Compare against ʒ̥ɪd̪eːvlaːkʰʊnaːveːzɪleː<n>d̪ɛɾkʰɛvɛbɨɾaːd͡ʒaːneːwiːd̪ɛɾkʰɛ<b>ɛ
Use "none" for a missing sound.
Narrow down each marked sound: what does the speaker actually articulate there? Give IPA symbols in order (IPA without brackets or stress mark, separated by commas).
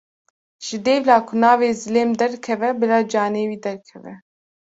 m, v